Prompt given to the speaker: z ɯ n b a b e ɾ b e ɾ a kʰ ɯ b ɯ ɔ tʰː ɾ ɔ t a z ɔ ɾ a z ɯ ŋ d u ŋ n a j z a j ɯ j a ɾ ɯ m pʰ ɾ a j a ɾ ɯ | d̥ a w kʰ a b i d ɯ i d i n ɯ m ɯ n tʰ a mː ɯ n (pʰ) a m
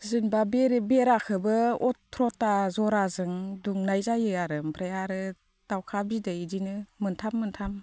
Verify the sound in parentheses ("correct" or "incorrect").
incorrect